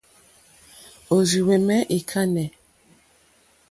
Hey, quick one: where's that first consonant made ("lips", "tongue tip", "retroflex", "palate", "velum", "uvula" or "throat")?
tongue tip